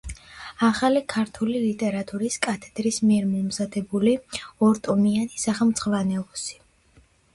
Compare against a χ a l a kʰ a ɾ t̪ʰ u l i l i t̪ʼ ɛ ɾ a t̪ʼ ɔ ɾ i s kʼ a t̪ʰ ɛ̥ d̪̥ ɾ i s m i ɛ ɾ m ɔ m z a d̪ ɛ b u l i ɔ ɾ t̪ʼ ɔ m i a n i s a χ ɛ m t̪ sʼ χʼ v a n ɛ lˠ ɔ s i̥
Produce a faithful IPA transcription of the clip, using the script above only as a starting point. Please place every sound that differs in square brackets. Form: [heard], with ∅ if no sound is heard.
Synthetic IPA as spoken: a χ a l [i] kʰ a ɾ t̪ʰ u l i l i t̪ʼ ɛ ɾ a t̪ʼ [u] ɾ i s kʼ a t̪ʰ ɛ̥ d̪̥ ɾ i s m i ɛ ɾ m ɔ m z a d̪ ɛ b u l i ɔ ɾ t̪ʼ ɔ m i a n i s a χ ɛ m t̪ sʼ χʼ v a n ɛ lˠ ɔ s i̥

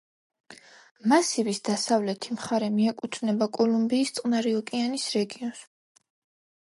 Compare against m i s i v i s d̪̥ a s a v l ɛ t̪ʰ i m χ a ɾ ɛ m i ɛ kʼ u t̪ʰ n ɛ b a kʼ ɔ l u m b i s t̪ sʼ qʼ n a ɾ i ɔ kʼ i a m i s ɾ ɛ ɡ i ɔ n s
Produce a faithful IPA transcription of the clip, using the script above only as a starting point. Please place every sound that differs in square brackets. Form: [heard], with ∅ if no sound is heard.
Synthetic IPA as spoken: m [a] s i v i s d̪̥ a s a v l ɛ t̪ʰ i m χ a ɾ ɛ m i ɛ kʼ u t̪ʰ n ɛ b a kʼ ɔ l u m b [iː] s t̪ sʼ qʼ n a ɾ i ɔ kʼ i a [n] i s ɾ ɛ ɡ i ɔ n s

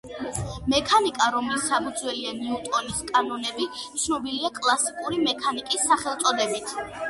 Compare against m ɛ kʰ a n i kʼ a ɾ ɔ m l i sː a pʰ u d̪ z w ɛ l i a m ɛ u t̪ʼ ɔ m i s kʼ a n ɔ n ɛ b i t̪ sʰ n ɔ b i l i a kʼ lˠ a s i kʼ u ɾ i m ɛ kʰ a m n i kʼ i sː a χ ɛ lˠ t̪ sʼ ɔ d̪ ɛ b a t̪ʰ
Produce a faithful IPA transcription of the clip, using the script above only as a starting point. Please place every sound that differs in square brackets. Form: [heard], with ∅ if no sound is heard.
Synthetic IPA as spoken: m ɛ kʰ a n i kʼ a ɾ ɔ m l i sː a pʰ u d̪ z w ɛ l i a [n] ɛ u t̪ʼ ɔ [n] i s kʼ a n ɔ n ɛ b i t̪ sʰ n ɔ b i l i a kʼ lˠ a s i kʼ u ɾ i m ɛ kʰ a [∅] n i kʼ i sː a χ ɛ lˠ t̪ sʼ ɔ d̪ ɛ b [i] t̪ʰ

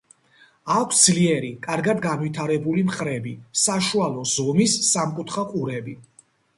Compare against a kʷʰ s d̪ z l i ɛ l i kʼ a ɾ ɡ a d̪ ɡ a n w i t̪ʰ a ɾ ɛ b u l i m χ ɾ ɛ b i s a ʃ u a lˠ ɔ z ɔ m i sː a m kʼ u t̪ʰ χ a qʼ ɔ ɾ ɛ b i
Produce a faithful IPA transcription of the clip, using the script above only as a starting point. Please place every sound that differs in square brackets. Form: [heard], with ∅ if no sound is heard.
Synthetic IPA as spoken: a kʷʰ s d̪ z l i ɛ [ɾ] i kʼ a ɾ ɡ a d̪ ɡ a n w i t̪ʰ a ɾ ɛ b u l i m χ ɾ ɛ b i s a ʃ u a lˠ ɔ z ɔ m i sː a m kʼ u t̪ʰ χ a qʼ [u] ɾ ɛ b i

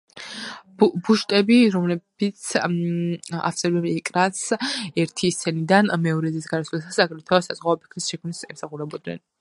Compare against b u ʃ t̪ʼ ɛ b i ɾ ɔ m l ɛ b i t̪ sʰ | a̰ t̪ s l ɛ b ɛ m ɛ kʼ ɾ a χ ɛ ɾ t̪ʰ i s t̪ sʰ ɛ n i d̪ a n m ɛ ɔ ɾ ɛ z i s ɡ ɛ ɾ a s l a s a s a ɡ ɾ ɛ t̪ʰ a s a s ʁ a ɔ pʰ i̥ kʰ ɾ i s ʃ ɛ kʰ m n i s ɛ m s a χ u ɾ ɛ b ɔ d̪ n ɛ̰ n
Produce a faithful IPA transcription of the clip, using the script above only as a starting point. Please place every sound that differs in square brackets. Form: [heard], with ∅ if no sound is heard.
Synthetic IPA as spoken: b u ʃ t̪ʼ ɛ b i ɾ ɔ m l ɛ b i t̪ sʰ | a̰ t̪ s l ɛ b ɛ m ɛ kʼ ɾ a [s] ɛ ɾ t̪ʰ i s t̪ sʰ ɛ n i d̪ a n m ɛ ɔ ɾ ɛ z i s ɡ [a] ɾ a s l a s a s a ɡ ɾ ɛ t̪ʰ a s a [z] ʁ a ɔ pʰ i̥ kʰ ɾ i s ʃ ɛ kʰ m n i s ɛ m s a χ u ɾ ɛ b ɔ d̪ n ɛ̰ n

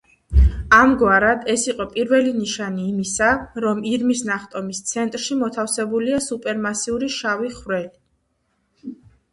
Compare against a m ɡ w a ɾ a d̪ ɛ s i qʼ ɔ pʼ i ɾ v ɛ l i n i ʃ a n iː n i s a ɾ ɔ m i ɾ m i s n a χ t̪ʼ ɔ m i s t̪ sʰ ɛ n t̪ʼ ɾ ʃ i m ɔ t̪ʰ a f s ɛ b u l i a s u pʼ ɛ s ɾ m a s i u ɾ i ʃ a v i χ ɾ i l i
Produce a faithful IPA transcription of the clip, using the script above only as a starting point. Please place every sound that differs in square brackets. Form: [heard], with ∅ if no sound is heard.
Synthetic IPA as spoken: a m ɡ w a ɾ a d̪ ɛ s i qʼ ɔ pʼ i ɾ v ɛ l i n i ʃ a n iː [m] i s a ɾ ɔ m i ɾ m i s n a χ t̪ʼ ɔ m i s t̪ sʰ ɛ n t̪ʼ ɾ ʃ i m ɔ t̪ʰ a f s ɛ b u l i a s u pʼ ɛ [∅] ɾ m a s i u ɾ i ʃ a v i χ ɾ [ɛ] l i

